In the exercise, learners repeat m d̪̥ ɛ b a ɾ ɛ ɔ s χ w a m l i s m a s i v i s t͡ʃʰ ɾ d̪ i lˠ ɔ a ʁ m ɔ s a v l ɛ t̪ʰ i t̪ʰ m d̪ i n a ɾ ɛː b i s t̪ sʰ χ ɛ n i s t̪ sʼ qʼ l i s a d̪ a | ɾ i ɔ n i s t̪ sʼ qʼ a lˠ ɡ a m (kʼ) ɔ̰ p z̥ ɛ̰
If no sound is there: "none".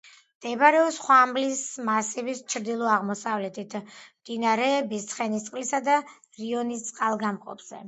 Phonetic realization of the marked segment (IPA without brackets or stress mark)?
qʼ